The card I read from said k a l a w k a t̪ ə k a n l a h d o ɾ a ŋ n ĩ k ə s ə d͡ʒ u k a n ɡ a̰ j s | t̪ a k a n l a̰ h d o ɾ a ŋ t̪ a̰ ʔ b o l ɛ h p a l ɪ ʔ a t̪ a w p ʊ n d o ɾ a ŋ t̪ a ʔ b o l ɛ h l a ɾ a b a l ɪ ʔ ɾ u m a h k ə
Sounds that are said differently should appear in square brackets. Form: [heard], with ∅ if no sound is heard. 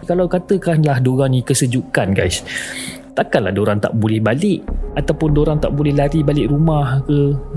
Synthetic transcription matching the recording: k a l a w k a t̪ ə k a n l a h d o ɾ a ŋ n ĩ k ə s ə d͡ʒ u k a n ɡ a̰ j s | t̪ a k a n l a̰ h d o ɾ a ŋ t̪ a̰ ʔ b o l ɛ h [b] a l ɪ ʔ a t̪ a w p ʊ n d o ɾ a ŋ t̪ a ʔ b o l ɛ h l a ɾ [i] b a l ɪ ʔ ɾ u m a h k ə